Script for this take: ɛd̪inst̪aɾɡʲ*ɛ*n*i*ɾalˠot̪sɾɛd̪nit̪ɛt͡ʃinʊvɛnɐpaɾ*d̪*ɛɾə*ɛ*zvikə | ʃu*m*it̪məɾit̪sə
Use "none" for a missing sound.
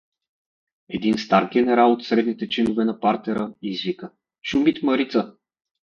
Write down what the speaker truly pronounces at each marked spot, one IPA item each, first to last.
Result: ɛ, ɛ, t̪, i, m

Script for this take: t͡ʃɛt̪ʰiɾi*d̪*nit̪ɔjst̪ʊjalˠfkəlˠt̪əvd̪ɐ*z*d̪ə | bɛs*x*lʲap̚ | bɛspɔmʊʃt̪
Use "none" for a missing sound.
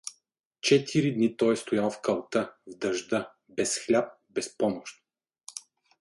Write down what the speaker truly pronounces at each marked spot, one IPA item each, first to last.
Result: d̪, ʒ, x

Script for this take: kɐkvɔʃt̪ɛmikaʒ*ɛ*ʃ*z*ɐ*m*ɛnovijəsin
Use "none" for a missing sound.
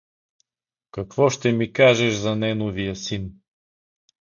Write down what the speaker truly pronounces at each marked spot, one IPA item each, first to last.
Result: ɛ, z, n

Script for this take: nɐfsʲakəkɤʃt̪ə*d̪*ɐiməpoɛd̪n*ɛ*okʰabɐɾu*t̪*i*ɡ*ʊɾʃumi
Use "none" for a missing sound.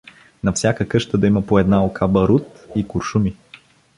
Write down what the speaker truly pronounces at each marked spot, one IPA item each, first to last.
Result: d̪, a, t̪, k

